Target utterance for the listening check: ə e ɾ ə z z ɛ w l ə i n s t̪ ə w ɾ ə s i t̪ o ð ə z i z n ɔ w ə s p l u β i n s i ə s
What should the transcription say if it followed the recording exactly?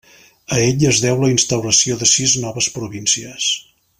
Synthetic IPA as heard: ə e ʎ ə z ð ɛ w l ə i n s t̪ ə w ɾ ə s i o ð ə s i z n ɔ β ə s p ɾ u β i n s i ə s